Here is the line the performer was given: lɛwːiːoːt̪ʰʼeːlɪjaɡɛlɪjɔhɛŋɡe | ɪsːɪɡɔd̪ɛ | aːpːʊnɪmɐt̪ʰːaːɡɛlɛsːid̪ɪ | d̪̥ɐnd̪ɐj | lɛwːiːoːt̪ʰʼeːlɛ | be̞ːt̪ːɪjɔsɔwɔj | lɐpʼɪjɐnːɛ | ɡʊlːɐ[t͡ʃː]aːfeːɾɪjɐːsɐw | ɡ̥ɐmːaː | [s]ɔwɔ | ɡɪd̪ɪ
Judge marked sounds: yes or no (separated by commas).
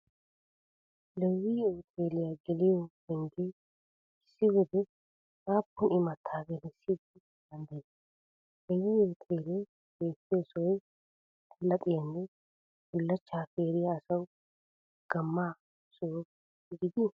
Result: yes, yes